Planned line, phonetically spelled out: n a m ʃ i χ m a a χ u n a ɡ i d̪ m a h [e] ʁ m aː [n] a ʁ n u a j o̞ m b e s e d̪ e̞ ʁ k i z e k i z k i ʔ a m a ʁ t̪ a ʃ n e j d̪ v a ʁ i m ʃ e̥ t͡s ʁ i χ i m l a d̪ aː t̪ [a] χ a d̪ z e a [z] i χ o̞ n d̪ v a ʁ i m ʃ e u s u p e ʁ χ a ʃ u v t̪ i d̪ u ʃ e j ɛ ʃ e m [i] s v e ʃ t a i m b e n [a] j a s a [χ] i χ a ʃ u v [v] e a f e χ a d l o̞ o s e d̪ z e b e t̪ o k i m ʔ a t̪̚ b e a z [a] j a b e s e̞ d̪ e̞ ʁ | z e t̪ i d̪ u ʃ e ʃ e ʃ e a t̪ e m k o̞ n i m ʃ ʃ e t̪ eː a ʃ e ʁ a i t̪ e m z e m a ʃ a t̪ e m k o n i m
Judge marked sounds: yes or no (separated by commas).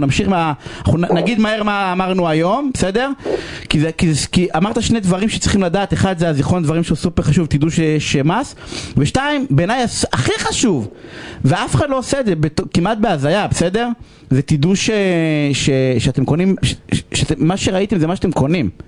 yes, no, no, yes, no, yes, yes, yes, yes